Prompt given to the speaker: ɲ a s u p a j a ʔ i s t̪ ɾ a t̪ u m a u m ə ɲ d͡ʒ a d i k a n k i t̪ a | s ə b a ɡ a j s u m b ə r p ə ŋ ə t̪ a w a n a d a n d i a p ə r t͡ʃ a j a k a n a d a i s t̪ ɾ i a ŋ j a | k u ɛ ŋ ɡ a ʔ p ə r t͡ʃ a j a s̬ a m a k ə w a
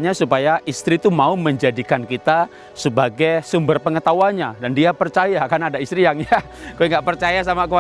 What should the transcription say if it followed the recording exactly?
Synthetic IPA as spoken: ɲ a s u p a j a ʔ i s t̪ ɾ i t̪ u m a u m ə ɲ d͡ʒ a d i k a n k i t̪ a | s ə b a ɡ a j s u m b ə r p ə ŋ ə t̪ a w a ɲ a d a n d i a p ə r t͡ʃ a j a k a n a d a i s t̪ ɾ i a ŋ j a | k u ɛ ŋ ɡ a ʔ p ə r t͡ʃ a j a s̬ a m a k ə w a